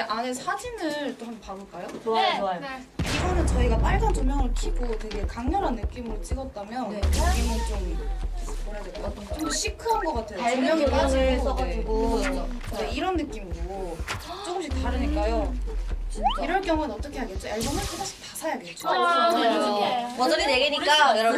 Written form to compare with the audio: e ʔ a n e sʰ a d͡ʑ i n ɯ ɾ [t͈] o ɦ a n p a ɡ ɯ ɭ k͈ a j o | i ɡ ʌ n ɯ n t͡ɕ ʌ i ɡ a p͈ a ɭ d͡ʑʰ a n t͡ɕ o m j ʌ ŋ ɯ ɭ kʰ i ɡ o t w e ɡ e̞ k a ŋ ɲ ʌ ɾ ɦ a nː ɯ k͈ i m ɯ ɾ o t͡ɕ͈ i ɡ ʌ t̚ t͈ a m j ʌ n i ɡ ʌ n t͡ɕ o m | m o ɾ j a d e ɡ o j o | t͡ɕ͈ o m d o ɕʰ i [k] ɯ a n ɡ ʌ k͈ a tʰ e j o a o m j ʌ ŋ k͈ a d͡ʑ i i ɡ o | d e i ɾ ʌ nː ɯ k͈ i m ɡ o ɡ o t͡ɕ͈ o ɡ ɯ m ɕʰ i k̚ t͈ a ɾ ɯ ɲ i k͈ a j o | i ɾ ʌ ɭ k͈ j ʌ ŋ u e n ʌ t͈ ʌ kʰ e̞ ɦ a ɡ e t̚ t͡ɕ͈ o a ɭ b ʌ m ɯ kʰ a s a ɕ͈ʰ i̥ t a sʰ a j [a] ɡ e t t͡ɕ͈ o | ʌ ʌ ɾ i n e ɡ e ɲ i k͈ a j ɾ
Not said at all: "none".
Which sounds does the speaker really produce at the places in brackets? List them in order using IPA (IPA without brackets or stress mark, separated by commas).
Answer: t͈, kʰ, a